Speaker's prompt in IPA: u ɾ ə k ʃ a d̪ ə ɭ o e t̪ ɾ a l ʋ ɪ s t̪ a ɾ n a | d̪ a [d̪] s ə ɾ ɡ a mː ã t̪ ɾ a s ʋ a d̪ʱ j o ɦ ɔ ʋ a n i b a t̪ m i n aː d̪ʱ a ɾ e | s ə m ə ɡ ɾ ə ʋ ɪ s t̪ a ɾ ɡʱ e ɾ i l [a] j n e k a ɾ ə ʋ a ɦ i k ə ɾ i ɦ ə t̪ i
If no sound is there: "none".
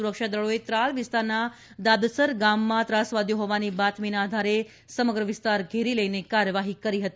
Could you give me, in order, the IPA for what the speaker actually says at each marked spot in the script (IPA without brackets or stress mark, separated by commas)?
d̪, ə